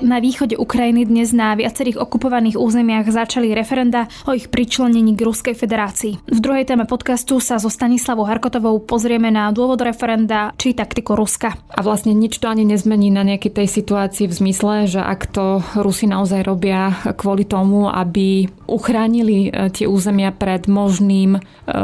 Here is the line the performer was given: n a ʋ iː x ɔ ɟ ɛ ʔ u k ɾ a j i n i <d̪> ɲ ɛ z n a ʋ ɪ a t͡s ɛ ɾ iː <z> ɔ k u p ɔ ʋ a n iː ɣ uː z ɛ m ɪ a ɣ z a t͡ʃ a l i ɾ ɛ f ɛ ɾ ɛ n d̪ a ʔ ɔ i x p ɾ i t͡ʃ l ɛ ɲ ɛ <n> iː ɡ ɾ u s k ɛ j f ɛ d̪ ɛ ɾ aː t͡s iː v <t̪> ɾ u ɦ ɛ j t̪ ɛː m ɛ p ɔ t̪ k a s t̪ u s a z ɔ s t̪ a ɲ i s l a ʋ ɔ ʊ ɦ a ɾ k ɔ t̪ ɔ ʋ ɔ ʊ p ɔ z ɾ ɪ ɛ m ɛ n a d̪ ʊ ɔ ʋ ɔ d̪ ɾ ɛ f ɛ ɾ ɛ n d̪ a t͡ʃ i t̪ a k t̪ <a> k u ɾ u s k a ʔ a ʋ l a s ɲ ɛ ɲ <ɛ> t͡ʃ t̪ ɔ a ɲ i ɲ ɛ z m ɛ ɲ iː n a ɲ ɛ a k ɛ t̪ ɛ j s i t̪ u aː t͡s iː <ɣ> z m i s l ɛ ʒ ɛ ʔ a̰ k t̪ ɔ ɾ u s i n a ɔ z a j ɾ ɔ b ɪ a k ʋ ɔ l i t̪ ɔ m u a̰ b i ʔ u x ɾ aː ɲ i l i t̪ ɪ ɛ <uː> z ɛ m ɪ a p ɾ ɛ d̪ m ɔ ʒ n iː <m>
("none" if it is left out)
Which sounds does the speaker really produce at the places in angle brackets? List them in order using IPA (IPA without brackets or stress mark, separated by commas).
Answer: d̪, ɣ, ɲ, d̪, i, i, v, uː, m